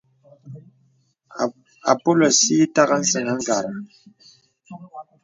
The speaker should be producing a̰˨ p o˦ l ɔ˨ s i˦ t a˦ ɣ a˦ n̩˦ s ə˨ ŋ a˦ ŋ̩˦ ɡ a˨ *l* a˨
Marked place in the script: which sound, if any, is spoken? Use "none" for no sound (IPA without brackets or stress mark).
ɾ